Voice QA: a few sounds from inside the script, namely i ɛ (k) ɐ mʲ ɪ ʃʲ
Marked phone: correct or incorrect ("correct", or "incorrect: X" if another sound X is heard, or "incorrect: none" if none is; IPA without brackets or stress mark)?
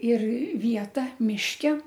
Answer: incorrect: t